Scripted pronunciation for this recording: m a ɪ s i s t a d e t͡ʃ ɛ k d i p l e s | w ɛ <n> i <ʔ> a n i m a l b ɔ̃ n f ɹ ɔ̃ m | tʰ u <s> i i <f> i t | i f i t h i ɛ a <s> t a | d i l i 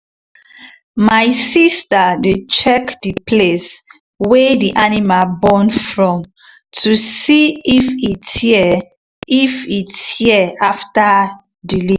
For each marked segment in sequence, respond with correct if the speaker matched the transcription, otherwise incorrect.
incorrect: d, correct, correct, correct, incorrect: f

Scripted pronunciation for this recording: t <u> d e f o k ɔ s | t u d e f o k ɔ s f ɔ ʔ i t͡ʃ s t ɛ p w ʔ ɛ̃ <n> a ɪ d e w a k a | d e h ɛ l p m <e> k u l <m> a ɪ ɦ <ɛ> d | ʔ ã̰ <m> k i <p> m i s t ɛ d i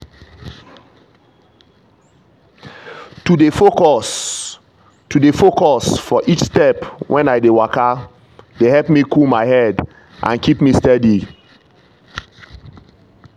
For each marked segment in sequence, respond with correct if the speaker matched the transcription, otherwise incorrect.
correct, correct, incorrect: i, correct, correct, incorrect: n, correct

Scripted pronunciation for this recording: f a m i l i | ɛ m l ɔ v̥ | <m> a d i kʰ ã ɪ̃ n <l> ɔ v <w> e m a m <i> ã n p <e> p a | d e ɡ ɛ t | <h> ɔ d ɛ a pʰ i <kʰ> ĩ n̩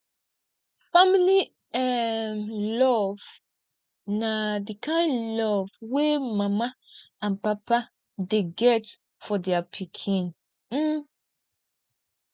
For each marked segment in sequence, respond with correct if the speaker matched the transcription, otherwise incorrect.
incorrect: n, correct, correct, incorrect: a, incorrect: a, incorrect: f, correct

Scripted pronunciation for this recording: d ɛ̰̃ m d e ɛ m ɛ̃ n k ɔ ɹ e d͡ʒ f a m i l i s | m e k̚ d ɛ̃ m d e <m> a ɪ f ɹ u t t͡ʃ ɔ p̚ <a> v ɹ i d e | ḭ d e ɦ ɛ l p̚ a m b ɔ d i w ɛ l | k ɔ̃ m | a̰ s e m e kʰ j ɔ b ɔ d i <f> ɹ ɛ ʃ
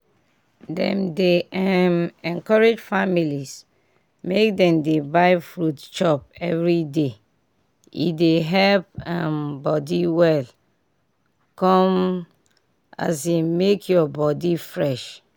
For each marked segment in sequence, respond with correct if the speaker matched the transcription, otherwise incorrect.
incorrect: b, incorrect: ɛ, correct

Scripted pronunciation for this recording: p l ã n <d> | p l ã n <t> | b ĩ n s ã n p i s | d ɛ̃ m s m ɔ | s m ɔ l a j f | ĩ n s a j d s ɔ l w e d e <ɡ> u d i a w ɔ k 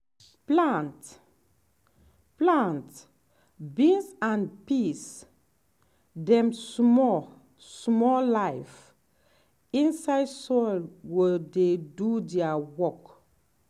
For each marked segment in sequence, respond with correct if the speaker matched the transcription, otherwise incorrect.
incorrect: t, correct, incorrect: d

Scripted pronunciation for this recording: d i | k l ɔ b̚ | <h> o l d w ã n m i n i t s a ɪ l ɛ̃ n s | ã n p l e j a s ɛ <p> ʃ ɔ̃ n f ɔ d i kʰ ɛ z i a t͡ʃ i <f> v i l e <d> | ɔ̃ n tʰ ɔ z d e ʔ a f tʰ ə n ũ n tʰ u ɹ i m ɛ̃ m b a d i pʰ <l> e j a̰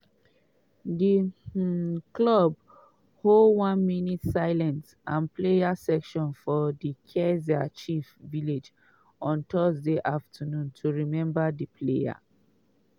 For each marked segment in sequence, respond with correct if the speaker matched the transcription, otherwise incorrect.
correct, incorrect: k, correct, incorrect: d͡ʒ, correct

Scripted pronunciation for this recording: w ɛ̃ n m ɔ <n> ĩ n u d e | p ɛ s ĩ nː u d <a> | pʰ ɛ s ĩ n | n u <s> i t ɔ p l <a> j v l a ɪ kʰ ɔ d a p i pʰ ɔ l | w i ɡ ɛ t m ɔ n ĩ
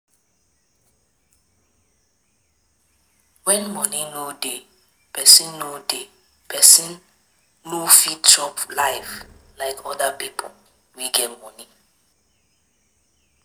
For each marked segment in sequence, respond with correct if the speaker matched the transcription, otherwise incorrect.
correct, incorrect: e, incorrect: f, correct

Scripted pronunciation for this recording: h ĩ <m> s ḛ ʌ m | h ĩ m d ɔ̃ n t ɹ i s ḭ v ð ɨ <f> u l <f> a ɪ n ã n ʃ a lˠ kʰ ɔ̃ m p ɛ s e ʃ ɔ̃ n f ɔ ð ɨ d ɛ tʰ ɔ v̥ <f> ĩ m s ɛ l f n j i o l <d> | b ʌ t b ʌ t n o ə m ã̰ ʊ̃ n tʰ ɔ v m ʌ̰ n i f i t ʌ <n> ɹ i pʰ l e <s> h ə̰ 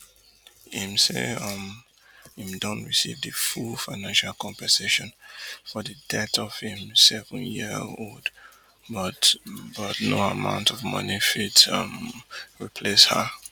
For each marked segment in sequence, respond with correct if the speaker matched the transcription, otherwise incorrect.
correct, correct, correct, incorrect: h, correct, incorrect: m, correct

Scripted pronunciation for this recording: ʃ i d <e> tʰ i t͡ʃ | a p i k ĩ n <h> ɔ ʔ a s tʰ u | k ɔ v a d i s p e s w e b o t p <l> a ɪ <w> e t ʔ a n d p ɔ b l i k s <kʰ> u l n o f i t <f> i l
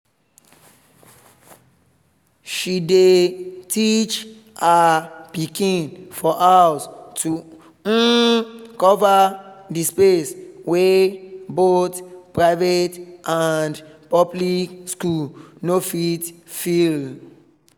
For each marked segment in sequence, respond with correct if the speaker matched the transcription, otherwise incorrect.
correct, incorrect: f, incorrect: ɹ, incorrect: v, incorrect: k, correct

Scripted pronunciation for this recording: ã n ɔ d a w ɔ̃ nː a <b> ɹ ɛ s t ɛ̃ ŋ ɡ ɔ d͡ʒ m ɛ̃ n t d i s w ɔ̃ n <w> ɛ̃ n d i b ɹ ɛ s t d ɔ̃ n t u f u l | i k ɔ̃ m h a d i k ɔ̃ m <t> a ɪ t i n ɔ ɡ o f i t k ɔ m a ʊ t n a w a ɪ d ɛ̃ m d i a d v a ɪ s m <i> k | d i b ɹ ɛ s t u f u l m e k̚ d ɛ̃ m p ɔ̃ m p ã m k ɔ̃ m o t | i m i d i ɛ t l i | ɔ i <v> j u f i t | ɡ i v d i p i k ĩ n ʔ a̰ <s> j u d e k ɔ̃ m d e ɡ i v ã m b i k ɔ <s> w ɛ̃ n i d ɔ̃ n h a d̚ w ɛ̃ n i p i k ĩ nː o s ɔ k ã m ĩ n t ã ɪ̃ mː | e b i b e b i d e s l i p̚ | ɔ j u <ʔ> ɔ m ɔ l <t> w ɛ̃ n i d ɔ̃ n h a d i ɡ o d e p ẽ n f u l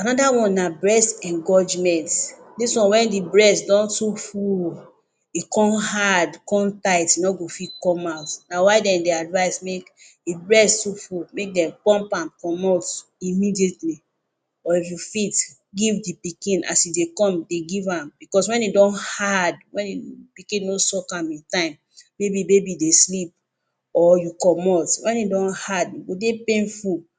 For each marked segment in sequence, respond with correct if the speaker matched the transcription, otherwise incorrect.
correct, correct, correct, incorrect: e, incorrect: f, correct, correct, incorrect: k, correct

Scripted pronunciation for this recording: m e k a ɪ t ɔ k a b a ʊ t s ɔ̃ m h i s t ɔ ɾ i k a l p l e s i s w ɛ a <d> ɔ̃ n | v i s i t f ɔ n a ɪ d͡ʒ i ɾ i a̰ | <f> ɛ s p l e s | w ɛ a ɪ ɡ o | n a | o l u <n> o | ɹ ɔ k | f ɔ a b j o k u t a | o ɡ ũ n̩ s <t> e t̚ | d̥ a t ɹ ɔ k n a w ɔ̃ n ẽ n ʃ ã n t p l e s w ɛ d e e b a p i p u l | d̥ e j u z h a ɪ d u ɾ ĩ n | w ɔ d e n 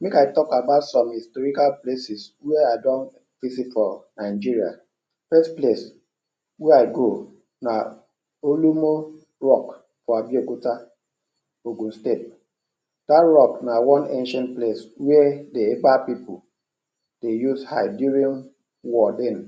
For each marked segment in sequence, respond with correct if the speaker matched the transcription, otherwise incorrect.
correct, correct, incorrect: m, correct

